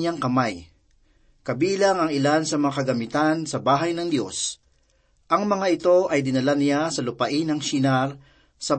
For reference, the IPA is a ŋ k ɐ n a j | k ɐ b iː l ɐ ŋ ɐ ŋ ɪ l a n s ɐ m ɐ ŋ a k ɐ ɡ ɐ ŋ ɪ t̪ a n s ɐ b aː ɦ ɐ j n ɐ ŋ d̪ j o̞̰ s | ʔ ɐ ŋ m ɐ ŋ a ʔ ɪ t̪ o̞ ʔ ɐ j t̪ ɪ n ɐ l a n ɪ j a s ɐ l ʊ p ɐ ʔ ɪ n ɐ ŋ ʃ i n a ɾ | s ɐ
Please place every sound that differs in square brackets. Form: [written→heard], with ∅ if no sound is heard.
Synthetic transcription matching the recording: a ŋ k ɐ [n→m] a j | k ɐ b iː l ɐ ŋ ɐ ŋ ɪ l a n s ɐ m ɐ ŋ a k ɐ ɡ ɐ [ŋ→m] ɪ t̪ a n s ɐ b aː ɦ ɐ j n ɐ ŋ d̪ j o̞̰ s | ʔ ɐ ŋ m ɐ ŋ a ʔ ɪ t̪ o̞ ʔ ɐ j [t̪→d̪] ɪ n ɐ l a n ɪ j a s ɐ l ʊ p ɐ ʔ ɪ n ɐ ŋ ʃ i n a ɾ | s ɐ